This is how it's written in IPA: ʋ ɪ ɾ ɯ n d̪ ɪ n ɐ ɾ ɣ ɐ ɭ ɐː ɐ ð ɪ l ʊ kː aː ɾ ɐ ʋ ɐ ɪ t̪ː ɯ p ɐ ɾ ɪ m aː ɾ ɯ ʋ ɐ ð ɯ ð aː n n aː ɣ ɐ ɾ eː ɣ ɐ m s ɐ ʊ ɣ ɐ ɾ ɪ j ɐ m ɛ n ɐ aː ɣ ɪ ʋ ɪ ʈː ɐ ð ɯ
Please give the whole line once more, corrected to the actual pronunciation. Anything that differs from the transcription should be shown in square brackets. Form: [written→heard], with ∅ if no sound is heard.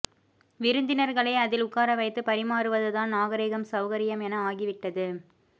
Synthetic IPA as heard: ʋ ɪ ɾ ɯ n d̪ ɪ n ɐ ɾ ɣ ɐ ɭ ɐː ɐ ð ɪ l ʊ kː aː ɾ ɐ ʋ ɐ ɪ t̪ː ɯ p ɐ ɾ ɪ m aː ɾ ɯ ʋ ɐ ð ɯ ð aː n n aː ɣ ɐ ɾ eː ɣ ɐ m s ɐ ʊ ɣ ɐ ɾ ɪ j ɐ m ɛ n ɐ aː ɣ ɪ ʋ ɪ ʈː ɐ ð ɯ